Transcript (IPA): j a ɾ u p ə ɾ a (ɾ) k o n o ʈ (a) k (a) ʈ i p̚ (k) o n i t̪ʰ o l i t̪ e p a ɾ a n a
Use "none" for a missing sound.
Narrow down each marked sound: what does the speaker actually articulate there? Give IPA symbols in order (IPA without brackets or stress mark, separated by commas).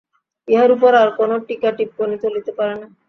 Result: ɾ, i, a, k